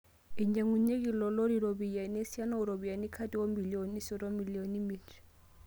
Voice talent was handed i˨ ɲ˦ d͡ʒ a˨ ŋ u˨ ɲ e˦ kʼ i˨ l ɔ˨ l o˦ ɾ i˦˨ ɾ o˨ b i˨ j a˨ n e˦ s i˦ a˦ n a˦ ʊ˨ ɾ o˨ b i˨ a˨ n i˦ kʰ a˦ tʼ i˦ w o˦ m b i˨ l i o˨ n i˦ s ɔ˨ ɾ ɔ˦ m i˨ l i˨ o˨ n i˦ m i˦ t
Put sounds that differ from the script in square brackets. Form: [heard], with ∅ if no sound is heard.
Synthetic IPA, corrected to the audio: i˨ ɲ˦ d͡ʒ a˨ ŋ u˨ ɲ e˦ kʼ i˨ l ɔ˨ l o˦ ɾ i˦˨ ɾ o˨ b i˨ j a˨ n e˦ s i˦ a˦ n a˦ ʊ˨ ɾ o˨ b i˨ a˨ n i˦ kʰ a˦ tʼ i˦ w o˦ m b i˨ l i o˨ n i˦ s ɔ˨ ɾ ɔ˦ m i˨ l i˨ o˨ n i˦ m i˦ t